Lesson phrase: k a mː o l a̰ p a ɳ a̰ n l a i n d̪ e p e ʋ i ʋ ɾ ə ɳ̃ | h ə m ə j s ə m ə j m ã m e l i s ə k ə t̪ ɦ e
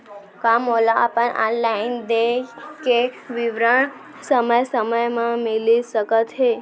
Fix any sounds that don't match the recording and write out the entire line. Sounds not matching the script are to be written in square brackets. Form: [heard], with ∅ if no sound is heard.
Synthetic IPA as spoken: k a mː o l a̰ p [ə] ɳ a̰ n l a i n d̪ e [k] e ʋ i ʋ ɾ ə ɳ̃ | [s] ə m ə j s ə m ə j m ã m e l i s ə k ə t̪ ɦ e